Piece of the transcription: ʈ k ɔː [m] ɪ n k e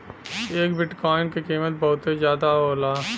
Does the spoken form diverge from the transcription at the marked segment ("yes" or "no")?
yes